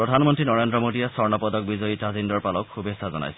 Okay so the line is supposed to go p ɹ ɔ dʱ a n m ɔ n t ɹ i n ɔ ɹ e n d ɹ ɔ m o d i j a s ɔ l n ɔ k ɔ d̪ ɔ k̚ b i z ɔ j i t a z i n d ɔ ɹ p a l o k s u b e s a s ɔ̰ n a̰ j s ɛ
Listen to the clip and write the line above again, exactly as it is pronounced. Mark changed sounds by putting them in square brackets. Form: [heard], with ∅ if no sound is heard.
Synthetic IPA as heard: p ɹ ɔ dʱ a n m ɔ n t ɹ i n ɔ ɹ e n d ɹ ɔ m o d i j a s ɔ [ɹ] n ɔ [p] ɔ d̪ ɔ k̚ b i z ɔ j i t a z i n d ɔ ɹ p a l [ɔ] k [x] u b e s a [z] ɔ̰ n a̰ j s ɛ